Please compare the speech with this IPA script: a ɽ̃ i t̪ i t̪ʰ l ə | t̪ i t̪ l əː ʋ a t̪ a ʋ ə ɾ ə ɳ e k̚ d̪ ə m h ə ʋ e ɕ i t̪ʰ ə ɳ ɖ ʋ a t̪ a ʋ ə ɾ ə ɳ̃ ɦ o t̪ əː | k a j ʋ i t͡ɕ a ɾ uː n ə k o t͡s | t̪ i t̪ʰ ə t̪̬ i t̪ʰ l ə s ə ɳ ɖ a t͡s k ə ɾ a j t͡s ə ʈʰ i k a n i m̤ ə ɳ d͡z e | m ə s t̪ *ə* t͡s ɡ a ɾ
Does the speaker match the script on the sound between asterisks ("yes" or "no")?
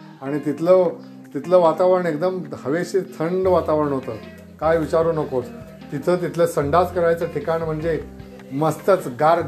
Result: yes